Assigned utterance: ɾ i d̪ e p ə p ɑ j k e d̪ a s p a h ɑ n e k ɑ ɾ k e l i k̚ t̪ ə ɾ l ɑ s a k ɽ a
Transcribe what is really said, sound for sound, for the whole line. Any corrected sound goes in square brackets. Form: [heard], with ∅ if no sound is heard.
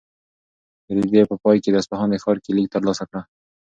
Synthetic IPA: ɾ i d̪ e p ə p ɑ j k e d̪ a s p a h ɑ n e [x] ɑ ɾ k e l i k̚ t̪ ə ɾ l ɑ s a k ɽ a

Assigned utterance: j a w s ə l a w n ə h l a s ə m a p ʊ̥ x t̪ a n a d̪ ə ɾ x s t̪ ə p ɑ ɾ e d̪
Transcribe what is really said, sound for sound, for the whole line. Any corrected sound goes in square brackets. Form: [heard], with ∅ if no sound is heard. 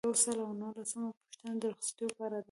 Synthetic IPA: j a w s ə l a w n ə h l a s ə m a p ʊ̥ [ʃ] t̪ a n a d̪ ə ɾ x s t̪ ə p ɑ ɾ [a] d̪

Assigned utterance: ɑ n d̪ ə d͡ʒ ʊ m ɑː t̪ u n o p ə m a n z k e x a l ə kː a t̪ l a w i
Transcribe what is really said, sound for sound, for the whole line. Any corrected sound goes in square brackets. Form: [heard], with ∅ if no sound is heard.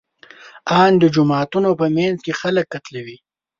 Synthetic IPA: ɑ n d̪ ə d͡ʒ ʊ m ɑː t̪ u n o p ə m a n z k e x a l ə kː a t̪ l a w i

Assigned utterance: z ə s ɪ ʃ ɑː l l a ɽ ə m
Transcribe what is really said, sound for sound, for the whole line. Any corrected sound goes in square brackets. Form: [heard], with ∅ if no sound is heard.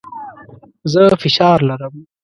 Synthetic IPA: z ə [f] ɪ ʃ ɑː [ɾ] l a [ɾ] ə m

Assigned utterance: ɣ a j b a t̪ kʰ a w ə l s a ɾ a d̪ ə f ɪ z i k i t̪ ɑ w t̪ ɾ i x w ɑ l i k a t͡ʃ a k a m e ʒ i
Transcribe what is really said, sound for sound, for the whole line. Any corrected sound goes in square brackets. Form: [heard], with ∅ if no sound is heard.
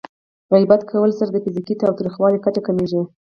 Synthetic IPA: ɣ a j b a t̪ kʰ a w ə l s a ɾ a d̪ ə f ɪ z i k i t̪ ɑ w t̪ ɾ i x w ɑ l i k a t͡ʃ a k a m e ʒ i

